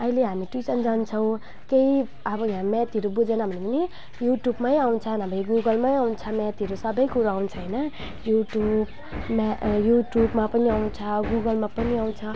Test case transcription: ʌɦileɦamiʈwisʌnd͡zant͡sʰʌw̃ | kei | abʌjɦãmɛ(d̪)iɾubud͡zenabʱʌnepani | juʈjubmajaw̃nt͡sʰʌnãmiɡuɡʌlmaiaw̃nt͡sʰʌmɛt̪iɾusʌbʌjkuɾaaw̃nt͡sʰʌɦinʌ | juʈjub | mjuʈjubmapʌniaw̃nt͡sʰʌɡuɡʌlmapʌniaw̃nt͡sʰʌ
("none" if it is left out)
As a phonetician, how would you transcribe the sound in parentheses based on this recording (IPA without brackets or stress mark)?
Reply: t̪